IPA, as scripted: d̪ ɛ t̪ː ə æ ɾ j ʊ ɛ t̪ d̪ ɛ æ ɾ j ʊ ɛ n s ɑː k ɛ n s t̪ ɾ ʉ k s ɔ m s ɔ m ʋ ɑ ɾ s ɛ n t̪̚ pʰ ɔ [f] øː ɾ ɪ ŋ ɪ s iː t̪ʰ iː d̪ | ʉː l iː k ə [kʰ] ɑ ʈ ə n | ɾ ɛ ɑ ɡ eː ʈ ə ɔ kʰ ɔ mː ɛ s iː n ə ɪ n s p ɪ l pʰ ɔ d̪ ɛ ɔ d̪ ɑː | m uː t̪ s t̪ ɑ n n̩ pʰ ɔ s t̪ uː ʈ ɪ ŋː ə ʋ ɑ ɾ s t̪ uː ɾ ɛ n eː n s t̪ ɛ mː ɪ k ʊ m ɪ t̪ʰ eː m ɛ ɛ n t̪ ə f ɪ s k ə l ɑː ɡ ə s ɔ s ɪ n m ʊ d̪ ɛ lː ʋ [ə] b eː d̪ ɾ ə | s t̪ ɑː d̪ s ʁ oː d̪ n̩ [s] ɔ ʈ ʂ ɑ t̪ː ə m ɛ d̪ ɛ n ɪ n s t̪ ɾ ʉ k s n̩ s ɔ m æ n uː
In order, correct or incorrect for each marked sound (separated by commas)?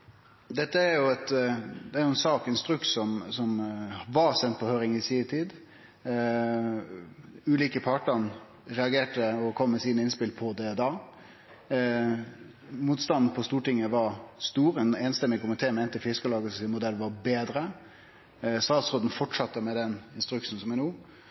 incorrect, incorrect, incorrect, incorrect